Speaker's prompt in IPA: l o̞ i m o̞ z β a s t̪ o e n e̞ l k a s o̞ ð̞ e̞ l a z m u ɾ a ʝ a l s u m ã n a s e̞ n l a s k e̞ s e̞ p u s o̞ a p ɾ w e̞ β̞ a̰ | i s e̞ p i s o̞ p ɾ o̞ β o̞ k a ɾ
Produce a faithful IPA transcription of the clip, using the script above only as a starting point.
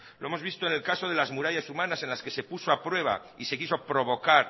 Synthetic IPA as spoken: l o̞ e m o̞ z β i s t̪ o e n e̞ l k a s o̞ ð̞ e̞ l a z m u ɾ a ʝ a s u m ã n a s e̞ n l a s k e̞ s e̞ p u s o̞ a p ɾ w e̞ β̞ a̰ | i s e̞ k i s o̞ p ɾ o̞ β o̞ k a ɾ